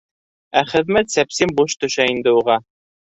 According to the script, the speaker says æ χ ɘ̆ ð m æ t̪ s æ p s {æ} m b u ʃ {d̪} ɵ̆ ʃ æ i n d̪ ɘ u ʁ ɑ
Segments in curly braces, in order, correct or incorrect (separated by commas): incorrect, incorrect